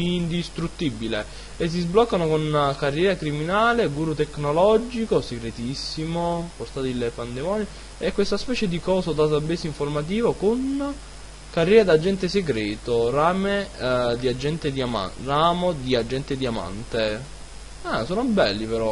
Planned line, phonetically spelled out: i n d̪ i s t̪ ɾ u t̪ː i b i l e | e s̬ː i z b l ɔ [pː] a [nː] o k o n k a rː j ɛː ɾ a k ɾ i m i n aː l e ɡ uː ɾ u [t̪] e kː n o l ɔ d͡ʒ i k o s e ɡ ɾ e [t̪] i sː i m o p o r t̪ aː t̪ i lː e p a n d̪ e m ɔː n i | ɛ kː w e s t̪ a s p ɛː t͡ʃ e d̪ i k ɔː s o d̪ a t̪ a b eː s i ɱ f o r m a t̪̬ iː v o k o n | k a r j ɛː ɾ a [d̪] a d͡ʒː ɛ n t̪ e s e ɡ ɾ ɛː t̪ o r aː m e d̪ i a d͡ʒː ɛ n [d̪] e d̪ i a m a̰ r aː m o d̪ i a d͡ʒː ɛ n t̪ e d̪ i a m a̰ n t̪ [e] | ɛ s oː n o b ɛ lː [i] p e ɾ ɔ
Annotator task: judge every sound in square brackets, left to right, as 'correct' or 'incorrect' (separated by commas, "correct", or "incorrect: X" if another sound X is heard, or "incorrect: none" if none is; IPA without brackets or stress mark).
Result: incorrect: kː, incorrect: n, correct, correct, correct, incorrect: t̪, correct, correct